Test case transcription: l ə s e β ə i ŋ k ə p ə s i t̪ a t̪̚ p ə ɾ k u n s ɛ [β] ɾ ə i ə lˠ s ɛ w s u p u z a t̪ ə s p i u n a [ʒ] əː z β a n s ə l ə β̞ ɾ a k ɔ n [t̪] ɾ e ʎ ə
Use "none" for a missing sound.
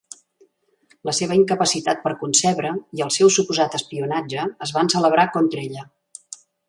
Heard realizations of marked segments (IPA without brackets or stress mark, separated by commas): β, d͡ʒ, t̪